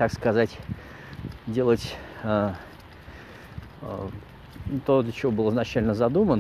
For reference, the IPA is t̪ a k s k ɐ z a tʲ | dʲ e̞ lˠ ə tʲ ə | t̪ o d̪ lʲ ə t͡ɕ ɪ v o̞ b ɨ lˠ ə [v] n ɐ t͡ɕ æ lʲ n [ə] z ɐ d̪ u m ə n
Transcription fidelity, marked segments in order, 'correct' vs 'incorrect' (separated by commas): incorrect, correct